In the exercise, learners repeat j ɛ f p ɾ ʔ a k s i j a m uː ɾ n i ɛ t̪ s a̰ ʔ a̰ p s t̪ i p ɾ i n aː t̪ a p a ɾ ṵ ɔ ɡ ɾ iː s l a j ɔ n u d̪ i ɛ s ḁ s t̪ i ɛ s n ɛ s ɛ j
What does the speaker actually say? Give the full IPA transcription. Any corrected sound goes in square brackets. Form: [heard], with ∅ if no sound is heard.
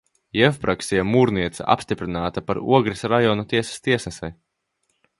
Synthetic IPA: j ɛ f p ɾ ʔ a k s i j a m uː ɾ n i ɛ t̪ s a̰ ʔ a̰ p s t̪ i p ɾ i n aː t̪ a p a ɾ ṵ ɔ ɡ ɾ [i] s [ɾ] a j ɔ n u [t̪] i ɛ s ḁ s t̪ i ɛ s n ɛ s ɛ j